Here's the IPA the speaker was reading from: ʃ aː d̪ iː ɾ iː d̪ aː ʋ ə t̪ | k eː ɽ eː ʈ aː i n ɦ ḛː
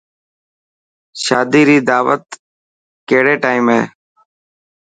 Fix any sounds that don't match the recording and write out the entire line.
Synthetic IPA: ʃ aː d̪ iː ɾ iː d̪ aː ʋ ə t̪ | k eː ɽ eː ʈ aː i m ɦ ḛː